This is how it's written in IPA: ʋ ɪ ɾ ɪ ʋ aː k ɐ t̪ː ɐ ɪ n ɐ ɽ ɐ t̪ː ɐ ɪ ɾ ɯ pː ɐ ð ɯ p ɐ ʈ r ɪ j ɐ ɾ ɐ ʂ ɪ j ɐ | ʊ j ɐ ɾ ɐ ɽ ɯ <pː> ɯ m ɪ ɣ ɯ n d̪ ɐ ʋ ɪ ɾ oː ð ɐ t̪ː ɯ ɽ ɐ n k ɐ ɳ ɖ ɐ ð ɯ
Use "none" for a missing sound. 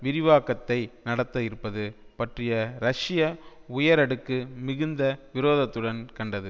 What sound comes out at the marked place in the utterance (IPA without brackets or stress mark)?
kː